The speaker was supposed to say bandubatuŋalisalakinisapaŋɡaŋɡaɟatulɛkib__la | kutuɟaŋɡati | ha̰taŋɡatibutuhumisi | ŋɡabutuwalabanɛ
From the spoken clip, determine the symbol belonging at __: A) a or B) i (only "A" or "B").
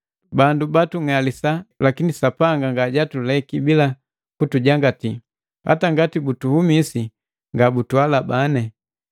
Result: B